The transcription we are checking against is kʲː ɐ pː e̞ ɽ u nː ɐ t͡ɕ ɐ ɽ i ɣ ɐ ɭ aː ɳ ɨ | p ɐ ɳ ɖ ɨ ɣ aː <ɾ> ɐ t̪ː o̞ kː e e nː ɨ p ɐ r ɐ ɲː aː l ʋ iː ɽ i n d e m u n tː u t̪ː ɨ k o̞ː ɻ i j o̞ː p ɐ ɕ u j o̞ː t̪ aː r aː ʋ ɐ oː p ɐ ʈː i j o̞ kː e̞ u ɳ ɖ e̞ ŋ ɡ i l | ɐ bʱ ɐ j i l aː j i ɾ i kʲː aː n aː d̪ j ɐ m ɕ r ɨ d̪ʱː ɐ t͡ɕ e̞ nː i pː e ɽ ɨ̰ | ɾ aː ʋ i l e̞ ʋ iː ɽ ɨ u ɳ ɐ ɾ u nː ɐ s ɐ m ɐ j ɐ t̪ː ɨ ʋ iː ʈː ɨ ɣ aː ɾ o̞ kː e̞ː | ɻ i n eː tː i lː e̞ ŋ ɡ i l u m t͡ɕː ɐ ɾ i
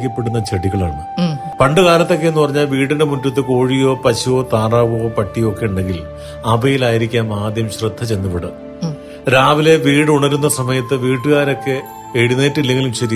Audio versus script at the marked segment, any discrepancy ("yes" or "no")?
yes